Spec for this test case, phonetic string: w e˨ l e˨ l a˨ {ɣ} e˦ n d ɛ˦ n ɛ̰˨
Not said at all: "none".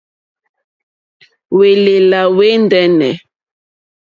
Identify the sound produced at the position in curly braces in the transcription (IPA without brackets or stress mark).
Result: w